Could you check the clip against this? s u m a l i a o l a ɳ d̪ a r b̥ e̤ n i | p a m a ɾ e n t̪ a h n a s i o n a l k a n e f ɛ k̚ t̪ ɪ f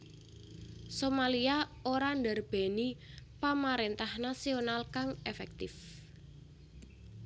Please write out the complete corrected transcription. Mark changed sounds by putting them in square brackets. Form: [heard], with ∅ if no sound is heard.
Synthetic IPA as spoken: s [o] m a l i a o [ɾ] a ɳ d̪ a r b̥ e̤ n i | p a m a ɾ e n t̪ a h n a s i o n a l k a [ŋ] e f ɛ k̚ t̪ ɪ f

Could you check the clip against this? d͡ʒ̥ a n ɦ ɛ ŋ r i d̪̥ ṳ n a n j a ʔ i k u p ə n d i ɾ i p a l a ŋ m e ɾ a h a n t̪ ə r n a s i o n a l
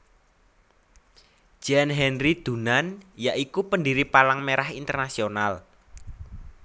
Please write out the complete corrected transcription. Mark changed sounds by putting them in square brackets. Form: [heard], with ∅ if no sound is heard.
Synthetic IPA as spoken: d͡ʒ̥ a n ɦ ɛ [n] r i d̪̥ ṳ n a n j a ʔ i k u p ə n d i ɾ i p a l a ŋ m e ɾ a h [i] n t̪ ə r n a s i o n a l

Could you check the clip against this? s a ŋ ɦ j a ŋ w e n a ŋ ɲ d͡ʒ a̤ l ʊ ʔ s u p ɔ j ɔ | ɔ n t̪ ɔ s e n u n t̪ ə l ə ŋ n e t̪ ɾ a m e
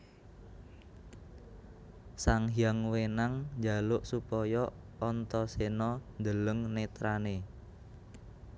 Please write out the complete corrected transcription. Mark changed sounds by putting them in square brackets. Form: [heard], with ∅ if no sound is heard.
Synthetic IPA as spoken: s a ŋ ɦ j a ŋ w e n a ŋ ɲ d͡ʒ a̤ l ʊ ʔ s u p ɔ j ɔ | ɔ n t̪ ɔ s e n [ɔ] n [d̪] ə l ə ŋ n e t̪ ɾ a [n] e

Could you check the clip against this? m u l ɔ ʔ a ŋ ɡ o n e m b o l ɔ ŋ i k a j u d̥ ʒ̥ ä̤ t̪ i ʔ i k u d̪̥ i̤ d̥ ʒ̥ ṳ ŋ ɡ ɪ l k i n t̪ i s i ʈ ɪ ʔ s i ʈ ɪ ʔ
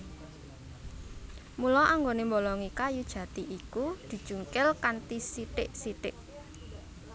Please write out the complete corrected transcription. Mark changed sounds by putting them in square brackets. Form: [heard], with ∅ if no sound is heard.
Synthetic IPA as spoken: m u l ɔ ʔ a ŋ ɡ o n e m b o l ɔ ŋ i k a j u d̥ ʒ̥ ä̤ t̪ i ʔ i k u d̪̥ i̤ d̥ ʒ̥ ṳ ŋ [k] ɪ l k [a] n t̪ i s i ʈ ɪ ʔ s i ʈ ɪ ʔ

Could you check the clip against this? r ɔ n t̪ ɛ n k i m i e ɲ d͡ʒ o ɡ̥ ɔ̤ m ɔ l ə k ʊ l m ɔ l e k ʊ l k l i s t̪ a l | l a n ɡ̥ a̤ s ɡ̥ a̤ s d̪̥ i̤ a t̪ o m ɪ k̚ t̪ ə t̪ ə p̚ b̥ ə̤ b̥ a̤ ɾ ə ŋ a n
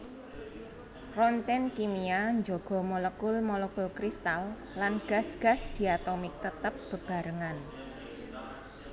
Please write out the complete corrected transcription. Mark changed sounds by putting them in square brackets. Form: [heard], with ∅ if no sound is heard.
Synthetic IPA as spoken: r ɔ n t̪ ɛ n k i m i [a] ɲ d͡ʒ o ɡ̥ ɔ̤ m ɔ l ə k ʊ l m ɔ l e k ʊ l k [ɾ] i s t̪ a l | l a n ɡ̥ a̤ s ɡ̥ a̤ s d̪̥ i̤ a t̪ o m ɪ k̚ t̪ ə t̪ ə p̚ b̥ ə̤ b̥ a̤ ɾ ə ŋ a n

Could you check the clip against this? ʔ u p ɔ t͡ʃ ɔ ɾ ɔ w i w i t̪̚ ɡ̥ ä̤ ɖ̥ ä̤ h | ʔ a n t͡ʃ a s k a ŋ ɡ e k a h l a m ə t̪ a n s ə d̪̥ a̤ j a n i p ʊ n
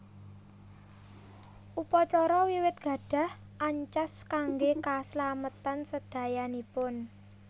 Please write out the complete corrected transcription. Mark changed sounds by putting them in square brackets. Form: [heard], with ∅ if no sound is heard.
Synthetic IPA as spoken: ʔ u p ɔ t͡ʃ ɔ ɾ ɔ w i w [ɪ] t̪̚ ɡ̥ ä̤ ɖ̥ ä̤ h | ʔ a [ɲ] t͡ʃ a s k a ŋ ɡ e k a [s] l a m ə t̪ a n s ə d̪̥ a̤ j a n i p ʊ n

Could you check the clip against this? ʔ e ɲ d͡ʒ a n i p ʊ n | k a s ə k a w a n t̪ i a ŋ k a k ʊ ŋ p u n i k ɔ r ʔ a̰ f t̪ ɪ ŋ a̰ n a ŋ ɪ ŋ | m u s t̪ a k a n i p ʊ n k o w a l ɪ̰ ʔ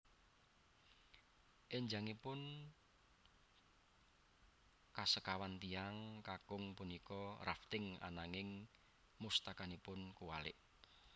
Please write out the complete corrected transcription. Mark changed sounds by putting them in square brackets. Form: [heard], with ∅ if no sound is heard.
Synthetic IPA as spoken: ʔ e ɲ d͡ʒ a [ŋ] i p ʊ n | k a s ə k a w a n t̪ i a ŋ k a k ʊ ŋ p u n i k ɔ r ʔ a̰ f t̪ ɪ ŋ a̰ n a ŋ ɪ ŋ | m u s t̪ a k a n i p ʊ n k [u] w a l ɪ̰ ʔ

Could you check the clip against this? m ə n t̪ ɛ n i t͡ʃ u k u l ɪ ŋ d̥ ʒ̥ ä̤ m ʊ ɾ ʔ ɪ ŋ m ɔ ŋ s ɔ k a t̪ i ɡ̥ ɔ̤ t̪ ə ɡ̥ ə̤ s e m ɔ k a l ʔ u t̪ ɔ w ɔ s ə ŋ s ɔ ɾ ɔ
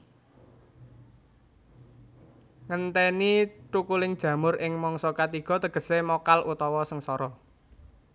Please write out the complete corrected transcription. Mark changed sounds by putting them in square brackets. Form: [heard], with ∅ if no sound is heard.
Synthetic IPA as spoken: [ŋ] ə n t̪ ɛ n i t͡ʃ u k u l ɪ ŋ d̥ ʒ̥ ä̤ m ʊ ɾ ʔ ɪ ŋ m ɔ ŋ s ɔ k a t̪ i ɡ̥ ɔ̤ t̪ ə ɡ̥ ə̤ s e m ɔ k a l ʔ u t̪ ɔ w ɔ s ə ŋ s ɔ ɾ ɔ

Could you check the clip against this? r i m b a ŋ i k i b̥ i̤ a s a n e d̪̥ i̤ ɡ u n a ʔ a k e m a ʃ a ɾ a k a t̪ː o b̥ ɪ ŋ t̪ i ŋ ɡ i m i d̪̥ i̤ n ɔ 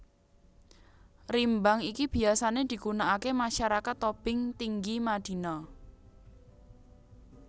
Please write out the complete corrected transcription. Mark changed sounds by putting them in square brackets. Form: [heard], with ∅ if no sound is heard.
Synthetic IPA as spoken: r i m b a ŋ i k i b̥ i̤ a s a n e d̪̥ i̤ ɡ u n a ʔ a k e m a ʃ a ɾ a k a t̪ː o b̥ ɪ ŋ t̪ i ŋ ɡ i m [a] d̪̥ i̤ n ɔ

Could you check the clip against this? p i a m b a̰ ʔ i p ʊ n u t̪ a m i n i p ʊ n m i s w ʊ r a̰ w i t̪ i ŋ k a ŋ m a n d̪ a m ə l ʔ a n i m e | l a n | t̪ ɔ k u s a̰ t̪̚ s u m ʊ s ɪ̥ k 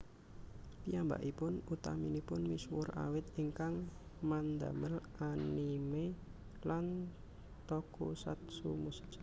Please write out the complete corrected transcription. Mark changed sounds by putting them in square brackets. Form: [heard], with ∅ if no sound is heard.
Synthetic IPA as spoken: p i a m b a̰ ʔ i p ʊ n u t̪ a m i n i p ʊ n m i s w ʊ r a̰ w [ɪ] t̪ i ŋ k a ŋ m a n d̪ a m ə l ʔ a n i m e | l a n | t̪ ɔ k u s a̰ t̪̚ s u m [u] s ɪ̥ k

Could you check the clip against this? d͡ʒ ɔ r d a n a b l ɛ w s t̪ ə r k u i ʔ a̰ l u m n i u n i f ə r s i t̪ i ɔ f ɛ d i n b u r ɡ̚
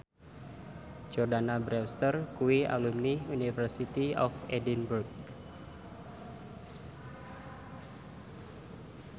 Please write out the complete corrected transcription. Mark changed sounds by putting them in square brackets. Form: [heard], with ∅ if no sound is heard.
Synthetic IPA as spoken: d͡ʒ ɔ r d a n a b [ɾ] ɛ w s t̪ ə r k u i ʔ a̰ l u m n i u n i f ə r s i t̪ i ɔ f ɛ d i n b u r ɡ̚

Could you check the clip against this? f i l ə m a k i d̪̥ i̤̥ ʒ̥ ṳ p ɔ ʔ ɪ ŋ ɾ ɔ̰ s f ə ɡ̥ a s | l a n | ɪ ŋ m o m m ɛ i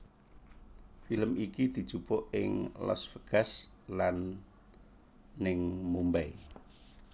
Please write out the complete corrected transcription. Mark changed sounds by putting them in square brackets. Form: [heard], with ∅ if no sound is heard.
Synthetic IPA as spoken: f i l ə m [i] k i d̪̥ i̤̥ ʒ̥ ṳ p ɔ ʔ ɪ ŋ [l] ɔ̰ s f ə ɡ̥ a s | l a n | ɪ ŋ m [u] m [b] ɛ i

